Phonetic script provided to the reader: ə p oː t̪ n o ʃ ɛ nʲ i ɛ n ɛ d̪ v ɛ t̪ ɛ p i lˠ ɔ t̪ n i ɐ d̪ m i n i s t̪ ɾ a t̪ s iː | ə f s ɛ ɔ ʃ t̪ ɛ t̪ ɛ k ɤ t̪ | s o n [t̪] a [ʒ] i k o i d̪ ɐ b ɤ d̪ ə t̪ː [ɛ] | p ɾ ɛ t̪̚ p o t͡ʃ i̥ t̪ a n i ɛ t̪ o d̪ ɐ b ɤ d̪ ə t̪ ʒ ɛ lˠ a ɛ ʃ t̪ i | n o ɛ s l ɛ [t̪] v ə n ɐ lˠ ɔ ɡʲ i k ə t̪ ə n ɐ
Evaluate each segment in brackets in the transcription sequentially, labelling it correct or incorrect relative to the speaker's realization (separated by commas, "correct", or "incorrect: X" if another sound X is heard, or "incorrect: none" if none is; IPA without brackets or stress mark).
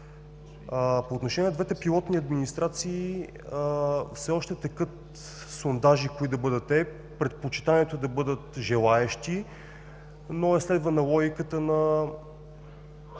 incorrect: d̪, correct, correct, incorrect: d̪